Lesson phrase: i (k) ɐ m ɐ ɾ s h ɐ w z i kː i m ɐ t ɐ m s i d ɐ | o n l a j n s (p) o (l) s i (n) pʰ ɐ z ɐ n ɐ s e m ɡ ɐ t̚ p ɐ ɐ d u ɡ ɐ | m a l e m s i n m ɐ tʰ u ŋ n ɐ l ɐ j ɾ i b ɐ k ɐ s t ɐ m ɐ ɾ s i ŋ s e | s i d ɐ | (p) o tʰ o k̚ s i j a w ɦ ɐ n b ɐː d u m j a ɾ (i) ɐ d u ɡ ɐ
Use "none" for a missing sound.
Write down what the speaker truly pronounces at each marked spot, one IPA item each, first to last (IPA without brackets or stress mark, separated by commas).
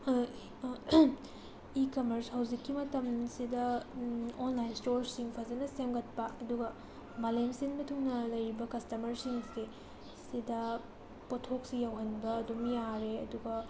k, t, ɾ, ŋ, p, e